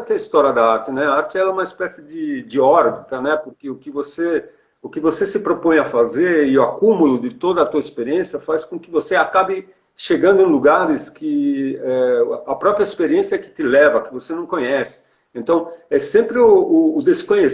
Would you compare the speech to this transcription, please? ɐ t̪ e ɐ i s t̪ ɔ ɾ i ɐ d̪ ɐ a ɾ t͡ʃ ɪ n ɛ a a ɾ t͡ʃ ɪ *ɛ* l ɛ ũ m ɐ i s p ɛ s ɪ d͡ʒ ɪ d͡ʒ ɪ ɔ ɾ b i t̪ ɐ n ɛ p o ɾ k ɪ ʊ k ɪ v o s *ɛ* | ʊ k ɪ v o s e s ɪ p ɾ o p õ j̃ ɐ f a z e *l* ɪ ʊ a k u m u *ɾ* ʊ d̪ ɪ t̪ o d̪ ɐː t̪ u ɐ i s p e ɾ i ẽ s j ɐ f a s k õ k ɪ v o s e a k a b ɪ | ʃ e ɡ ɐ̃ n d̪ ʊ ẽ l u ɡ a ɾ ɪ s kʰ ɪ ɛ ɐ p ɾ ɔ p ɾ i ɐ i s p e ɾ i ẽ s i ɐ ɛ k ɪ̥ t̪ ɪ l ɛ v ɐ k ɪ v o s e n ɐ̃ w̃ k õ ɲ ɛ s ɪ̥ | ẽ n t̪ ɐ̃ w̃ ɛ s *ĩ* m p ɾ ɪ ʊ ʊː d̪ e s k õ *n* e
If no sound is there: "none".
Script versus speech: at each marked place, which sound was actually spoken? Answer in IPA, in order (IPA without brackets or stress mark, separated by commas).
ɛ, e, ɾ, l, ẽ, ɲ